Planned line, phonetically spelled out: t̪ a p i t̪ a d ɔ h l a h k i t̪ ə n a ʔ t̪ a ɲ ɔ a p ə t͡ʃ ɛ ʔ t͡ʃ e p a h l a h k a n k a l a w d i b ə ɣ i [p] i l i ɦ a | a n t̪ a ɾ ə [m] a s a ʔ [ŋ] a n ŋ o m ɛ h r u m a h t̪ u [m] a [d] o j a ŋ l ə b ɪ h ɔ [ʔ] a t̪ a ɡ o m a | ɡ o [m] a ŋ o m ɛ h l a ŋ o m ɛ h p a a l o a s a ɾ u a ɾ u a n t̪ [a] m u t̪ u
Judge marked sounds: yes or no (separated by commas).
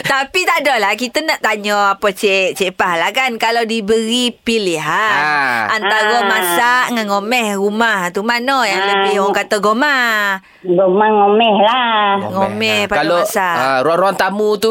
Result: yes, yes, yes, yes, no, no, yes, yes